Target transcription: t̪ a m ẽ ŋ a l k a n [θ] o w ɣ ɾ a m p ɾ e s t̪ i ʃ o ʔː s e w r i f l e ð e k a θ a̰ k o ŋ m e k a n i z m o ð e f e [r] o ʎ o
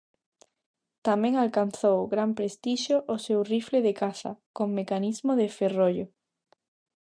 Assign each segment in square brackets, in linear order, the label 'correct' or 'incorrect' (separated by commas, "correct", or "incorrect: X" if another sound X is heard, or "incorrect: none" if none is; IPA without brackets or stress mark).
correct, correct